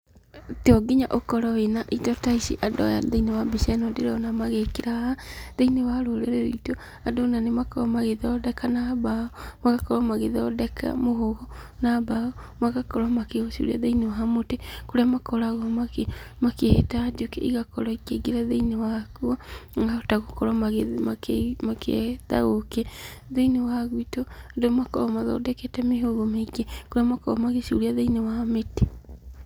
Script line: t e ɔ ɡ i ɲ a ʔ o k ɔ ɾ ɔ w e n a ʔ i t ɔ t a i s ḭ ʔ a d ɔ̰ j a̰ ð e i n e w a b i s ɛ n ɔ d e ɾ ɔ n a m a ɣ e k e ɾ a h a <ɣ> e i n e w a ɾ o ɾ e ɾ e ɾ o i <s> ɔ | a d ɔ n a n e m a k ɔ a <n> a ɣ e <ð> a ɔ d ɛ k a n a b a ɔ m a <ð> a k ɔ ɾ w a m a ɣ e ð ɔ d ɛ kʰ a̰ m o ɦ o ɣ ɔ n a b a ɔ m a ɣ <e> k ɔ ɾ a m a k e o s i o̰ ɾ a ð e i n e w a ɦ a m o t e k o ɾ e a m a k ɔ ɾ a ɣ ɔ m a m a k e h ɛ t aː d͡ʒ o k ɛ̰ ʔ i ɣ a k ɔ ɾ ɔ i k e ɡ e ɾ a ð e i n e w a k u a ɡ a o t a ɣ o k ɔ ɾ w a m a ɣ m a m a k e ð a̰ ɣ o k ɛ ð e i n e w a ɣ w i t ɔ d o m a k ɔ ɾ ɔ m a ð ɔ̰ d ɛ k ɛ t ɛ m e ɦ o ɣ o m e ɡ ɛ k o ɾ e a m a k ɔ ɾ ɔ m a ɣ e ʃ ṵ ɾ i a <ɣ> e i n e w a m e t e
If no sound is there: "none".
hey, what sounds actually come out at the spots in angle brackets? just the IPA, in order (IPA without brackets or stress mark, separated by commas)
ð, t, m, ð, ɣ, a, ð